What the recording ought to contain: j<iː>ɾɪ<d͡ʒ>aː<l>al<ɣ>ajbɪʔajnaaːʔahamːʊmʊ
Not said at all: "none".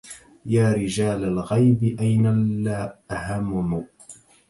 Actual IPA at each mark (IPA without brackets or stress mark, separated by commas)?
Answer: aː, d͡ʒ, l, ɣ